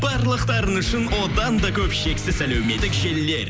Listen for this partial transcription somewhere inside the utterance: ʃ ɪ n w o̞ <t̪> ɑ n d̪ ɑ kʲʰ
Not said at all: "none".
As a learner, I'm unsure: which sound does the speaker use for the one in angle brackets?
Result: d̪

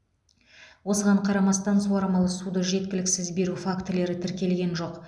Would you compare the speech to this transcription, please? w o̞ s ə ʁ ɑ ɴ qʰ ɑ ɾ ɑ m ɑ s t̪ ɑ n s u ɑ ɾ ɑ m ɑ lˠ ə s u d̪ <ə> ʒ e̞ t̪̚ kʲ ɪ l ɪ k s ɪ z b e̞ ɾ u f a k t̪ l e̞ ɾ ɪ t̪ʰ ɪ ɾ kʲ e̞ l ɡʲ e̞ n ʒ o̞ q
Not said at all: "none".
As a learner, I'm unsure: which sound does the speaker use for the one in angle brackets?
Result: ə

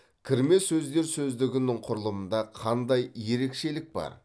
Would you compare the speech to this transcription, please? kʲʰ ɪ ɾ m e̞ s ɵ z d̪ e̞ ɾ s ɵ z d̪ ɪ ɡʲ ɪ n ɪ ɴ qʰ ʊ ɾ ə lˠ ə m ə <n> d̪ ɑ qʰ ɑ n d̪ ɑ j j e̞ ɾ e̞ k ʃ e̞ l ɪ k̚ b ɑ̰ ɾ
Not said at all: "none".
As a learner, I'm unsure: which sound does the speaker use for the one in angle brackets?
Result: n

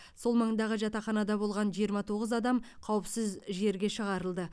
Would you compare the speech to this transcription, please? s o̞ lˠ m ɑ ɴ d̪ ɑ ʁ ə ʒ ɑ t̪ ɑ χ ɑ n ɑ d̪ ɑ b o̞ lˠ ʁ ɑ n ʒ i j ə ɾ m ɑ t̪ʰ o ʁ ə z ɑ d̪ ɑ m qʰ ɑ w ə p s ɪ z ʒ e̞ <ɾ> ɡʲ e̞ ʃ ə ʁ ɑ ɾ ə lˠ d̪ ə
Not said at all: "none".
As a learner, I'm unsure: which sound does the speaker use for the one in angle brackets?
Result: ɾ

